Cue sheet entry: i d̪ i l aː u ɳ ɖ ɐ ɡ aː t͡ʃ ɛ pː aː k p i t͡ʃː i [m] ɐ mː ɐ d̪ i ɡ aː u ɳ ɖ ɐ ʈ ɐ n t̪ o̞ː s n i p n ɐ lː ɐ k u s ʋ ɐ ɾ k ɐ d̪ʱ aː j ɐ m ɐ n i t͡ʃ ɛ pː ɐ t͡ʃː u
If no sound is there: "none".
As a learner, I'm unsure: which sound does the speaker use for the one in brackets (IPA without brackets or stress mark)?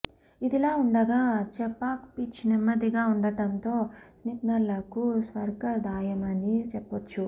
n